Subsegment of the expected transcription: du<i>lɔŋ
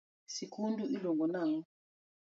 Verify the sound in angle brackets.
correct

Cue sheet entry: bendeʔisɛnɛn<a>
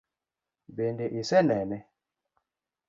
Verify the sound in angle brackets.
incorrect: ɛ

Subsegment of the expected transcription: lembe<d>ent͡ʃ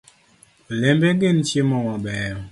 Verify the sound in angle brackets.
incorrect: ɡ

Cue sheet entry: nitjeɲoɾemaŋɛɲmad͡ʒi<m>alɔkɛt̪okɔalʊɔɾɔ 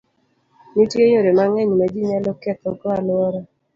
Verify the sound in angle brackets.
incorrect: ɲ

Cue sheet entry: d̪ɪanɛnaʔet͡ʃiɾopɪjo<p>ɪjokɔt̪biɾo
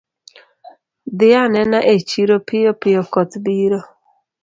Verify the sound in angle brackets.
correct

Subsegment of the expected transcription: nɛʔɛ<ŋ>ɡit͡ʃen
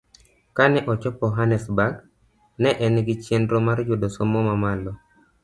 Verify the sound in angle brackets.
incorrect: n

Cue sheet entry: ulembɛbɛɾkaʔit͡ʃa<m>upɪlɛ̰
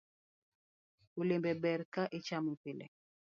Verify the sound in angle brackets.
correct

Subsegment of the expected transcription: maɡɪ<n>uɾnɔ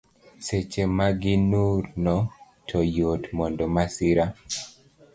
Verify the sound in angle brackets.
correct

